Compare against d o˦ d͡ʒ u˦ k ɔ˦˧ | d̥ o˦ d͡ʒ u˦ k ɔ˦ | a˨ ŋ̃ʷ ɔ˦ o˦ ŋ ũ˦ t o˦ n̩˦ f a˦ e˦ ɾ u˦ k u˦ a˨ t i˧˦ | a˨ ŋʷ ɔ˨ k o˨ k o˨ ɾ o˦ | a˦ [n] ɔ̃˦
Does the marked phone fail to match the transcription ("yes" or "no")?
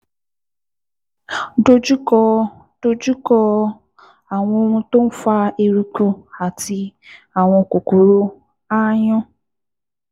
yes